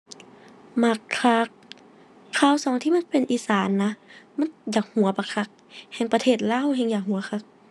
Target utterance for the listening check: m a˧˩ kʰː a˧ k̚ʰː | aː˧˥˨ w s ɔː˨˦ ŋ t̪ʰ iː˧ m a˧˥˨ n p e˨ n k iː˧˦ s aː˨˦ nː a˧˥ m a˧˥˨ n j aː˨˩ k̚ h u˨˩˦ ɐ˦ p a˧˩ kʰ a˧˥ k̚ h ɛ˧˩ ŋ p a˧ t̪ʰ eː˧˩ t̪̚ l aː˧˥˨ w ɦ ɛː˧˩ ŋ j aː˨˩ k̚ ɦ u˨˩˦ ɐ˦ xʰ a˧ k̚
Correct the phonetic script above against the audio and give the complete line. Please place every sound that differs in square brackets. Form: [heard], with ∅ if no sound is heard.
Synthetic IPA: m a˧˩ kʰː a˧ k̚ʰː | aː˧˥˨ w s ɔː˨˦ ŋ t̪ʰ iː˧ m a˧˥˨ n p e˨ n [ʔ] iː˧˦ s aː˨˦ nː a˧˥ m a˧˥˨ n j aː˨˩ k̚ h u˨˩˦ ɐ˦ p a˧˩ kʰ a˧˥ k̚ h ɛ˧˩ ŋ p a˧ t̪ʰ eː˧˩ t̪̚ l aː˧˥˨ w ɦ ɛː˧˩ ŋ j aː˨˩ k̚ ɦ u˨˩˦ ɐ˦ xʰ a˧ k̚